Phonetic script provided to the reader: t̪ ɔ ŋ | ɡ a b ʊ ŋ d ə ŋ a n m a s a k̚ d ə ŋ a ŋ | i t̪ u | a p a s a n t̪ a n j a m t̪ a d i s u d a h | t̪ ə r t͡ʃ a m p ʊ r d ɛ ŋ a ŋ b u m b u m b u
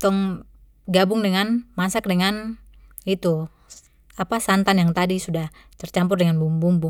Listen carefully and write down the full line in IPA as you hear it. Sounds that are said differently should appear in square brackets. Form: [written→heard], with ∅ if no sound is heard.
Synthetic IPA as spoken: t̪ ɔ ŋ | ɡ a b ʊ ŋ d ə ŋ a n m a s a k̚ d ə ŋ a [ŋ→n] | i t̪ u | a p a s a n t̪ a n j a [m→ŋ] t̪ a d i s u d a h | t̪ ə r t͡ʃ a m p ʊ r d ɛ ŋ a [ŋ→n] b u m b u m b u